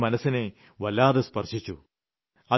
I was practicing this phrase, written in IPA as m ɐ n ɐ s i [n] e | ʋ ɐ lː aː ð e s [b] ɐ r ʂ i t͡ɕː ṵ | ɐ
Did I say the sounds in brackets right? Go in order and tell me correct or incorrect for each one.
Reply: correct, incorrect: p

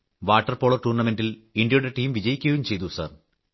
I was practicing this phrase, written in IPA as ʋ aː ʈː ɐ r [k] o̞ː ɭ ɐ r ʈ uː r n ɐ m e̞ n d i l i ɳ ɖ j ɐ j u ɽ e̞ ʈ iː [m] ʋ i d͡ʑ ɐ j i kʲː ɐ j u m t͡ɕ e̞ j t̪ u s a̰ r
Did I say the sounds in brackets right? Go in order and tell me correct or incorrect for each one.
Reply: incorrect: p, correct

